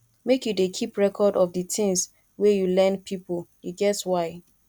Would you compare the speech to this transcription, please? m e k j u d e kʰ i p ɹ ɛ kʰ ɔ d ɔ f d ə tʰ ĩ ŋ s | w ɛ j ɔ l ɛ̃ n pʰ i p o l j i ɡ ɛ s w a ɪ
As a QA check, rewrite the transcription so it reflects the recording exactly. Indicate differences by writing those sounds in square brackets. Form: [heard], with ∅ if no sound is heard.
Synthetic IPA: m e k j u d e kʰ i p ɹ ɛ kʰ ɔ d ɔ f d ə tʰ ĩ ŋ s | w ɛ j [u] l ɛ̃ n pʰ i p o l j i ɡ ɛ s w a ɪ